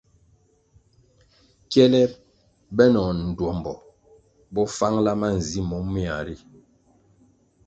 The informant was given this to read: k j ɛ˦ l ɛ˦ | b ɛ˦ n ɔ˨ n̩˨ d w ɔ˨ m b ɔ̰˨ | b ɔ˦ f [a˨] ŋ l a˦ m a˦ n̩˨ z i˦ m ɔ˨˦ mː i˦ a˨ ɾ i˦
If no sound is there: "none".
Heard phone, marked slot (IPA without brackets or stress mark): a˦